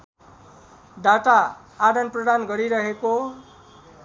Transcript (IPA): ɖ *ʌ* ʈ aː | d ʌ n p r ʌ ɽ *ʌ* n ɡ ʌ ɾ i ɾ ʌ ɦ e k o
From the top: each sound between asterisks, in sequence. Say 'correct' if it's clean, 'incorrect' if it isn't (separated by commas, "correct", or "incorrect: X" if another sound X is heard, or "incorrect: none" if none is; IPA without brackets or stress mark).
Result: incorrect: a, incorrect: a